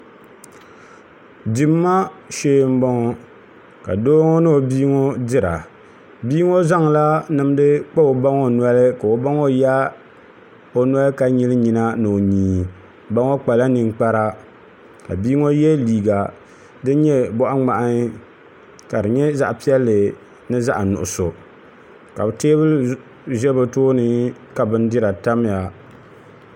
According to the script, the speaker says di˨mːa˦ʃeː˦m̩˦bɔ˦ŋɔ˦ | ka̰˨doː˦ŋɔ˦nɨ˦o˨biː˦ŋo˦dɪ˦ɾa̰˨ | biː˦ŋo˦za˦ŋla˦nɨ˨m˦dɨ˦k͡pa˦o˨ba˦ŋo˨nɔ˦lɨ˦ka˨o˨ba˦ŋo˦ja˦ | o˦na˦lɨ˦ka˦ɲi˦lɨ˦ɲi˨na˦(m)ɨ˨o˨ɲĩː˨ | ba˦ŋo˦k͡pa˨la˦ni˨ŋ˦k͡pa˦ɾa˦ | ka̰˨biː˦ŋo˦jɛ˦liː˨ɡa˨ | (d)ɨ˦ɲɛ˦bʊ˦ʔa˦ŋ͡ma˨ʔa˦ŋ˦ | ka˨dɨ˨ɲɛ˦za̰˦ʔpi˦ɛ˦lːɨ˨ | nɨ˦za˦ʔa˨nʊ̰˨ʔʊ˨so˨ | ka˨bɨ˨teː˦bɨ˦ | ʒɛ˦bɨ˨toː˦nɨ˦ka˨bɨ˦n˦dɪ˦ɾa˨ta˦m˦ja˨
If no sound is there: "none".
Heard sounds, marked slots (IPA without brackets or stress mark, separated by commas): n, d